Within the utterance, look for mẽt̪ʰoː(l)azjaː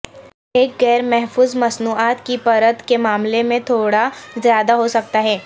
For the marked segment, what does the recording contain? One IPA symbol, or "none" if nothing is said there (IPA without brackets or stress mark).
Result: ɽ